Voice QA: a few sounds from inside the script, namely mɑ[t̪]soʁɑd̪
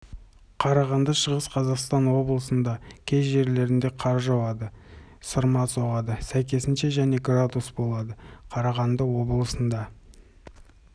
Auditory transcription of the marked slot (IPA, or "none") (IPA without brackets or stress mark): none